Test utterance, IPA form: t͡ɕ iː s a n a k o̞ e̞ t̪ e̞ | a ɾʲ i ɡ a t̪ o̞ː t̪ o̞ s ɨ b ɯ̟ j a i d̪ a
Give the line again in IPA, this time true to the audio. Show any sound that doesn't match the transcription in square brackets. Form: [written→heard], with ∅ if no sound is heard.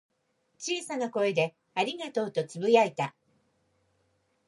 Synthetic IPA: t͡ɕ iː s a n a k o̞ e̞ [t̪→d̪] e̞ | a ɾʲ i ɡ a t̪ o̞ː t̪ o̞ [s→t͡s] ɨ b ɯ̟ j a i [d̪→t̪] a